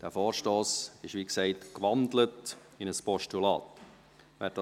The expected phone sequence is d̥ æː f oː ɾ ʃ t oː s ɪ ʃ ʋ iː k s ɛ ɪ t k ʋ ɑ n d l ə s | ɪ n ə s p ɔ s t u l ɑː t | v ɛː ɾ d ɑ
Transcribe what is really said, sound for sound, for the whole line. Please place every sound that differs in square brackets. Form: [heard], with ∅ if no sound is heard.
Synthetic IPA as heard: d̥ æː f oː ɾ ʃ t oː s ɪ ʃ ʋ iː k s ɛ ɪ t k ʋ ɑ n d l ə [t] | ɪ n ə s p ɔ [ʃ] t u l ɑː t | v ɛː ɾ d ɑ